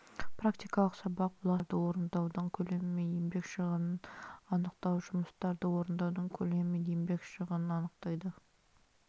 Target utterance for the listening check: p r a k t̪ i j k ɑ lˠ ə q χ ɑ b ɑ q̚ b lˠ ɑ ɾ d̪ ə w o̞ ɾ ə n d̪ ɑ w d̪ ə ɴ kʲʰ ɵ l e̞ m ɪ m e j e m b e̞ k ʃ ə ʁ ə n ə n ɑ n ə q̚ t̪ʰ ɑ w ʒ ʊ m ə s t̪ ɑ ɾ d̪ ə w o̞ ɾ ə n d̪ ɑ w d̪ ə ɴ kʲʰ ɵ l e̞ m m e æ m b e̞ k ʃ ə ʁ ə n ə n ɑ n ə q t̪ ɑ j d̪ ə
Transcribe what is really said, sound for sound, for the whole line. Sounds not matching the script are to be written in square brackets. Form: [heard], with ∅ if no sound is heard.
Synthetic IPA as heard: p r a k t̪ i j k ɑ lˠ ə q [s] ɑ b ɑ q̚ b lˠ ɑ ɾ d̪ ə w o̞ ɾ ə n d̪ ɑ w d̪ ə ɴ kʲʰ ɵ l e̞ m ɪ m e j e m b e̞ k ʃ ə ʁ ə n ə n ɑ n ə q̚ [t̪] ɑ w ʒ ʊ m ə s t̪ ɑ ɾ d̪ ə w o̞ ɾ ə n d̪ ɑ w d̪ ə ɴ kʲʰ ɵ l e̞ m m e [e] m b e̞ k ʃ ə ʁ ə n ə n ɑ n ə q t̪ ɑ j d̪ ə